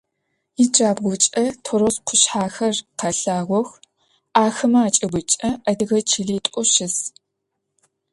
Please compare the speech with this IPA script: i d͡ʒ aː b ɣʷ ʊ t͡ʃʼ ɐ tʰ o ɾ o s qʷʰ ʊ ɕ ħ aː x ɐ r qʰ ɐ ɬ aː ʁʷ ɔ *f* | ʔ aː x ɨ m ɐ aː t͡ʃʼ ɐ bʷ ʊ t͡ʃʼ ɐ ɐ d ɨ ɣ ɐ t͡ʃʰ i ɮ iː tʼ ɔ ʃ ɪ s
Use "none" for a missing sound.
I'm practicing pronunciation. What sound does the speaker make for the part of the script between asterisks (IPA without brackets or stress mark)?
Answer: x